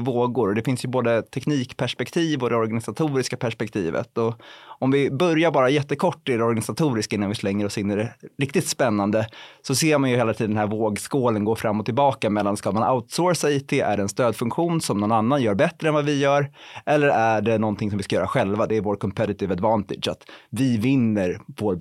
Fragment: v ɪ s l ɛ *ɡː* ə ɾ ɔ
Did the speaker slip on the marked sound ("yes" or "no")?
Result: yes